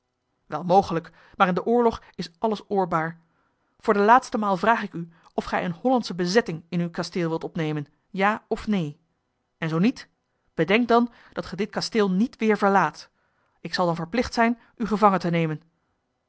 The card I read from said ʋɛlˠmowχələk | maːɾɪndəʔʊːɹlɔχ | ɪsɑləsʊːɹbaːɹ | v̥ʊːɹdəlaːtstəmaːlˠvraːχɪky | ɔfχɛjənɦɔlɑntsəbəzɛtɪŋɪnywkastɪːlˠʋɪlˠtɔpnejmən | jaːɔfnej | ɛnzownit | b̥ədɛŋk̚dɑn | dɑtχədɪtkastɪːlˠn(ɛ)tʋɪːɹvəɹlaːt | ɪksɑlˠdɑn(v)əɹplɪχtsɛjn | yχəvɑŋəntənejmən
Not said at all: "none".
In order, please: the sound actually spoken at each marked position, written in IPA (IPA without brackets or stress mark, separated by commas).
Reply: i, v